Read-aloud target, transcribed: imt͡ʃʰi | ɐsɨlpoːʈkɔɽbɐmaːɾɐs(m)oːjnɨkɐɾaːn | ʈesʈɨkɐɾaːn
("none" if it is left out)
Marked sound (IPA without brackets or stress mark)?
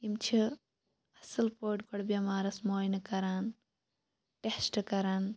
m